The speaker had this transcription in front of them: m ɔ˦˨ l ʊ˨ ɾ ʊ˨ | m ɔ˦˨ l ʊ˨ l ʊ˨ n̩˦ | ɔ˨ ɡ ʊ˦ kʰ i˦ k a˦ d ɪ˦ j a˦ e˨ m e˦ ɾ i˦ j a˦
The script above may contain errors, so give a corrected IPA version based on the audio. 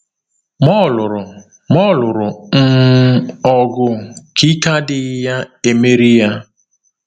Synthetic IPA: m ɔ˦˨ l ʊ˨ ɾ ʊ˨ | m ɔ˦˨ l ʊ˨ ɾ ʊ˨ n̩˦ | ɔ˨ ɡ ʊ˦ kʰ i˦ k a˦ d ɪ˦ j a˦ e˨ m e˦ ɾ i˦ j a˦